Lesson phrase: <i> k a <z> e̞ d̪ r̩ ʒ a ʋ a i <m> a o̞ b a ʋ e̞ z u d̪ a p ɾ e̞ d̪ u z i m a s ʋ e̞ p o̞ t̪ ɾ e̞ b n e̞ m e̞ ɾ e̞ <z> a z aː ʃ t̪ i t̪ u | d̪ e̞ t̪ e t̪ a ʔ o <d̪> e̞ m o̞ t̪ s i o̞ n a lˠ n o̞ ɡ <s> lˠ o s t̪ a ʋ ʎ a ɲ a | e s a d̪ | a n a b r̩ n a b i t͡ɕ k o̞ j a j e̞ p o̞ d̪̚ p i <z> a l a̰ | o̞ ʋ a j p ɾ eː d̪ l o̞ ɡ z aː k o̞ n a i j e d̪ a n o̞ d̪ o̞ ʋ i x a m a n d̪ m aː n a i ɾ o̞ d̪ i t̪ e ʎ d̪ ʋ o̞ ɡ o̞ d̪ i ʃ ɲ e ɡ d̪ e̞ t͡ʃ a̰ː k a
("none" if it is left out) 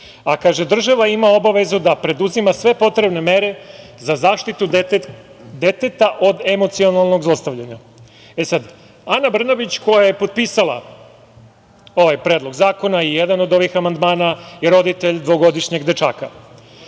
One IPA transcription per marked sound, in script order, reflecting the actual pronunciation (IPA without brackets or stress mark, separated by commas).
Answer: a, ʒ, m, z, d̪, z, s